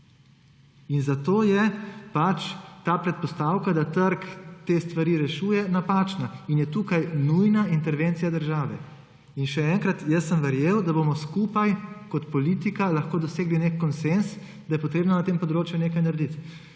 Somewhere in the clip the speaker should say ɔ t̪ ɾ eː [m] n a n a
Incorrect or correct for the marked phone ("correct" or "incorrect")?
incorrect